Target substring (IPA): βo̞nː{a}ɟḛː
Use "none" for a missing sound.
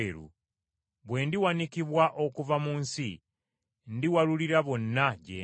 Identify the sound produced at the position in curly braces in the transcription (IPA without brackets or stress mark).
a